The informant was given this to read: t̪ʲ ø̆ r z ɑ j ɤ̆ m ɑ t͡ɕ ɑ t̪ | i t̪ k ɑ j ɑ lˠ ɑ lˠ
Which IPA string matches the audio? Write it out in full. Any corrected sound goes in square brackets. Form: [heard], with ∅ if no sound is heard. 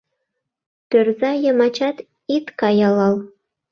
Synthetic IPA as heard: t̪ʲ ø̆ r z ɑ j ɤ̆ m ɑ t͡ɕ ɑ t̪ | i t̪ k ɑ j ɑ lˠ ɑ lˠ